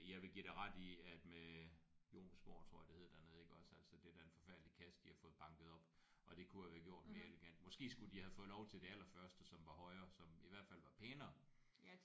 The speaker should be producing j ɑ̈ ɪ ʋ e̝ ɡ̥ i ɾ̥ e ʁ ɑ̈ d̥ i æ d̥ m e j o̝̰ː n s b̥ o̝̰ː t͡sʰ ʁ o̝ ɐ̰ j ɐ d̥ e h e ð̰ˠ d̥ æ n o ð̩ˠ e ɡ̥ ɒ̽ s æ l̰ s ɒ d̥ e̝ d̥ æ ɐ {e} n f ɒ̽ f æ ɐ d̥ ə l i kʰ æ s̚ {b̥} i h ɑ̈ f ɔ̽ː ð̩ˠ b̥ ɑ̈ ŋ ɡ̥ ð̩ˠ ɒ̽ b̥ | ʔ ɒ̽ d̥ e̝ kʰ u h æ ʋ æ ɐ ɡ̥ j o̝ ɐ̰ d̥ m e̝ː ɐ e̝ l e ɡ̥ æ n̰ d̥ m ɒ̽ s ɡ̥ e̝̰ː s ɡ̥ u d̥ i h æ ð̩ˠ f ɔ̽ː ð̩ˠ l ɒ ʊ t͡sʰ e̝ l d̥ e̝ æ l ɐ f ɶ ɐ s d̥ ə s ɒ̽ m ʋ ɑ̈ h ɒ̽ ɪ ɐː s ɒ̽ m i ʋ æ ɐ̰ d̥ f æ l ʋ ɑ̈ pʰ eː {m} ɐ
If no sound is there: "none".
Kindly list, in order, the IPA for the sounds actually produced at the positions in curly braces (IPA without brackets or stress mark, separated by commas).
e, d̥, n